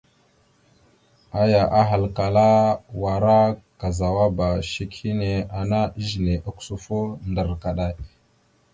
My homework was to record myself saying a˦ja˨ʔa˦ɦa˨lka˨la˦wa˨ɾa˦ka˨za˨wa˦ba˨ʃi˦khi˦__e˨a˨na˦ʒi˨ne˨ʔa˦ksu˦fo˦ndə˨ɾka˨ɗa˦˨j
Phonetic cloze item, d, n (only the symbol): n